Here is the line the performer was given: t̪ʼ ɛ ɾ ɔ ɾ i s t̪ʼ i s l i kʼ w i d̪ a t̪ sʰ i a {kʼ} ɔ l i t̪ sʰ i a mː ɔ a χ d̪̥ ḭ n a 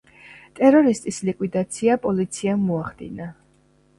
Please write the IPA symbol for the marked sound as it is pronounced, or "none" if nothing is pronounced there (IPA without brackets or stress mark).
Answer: pʼ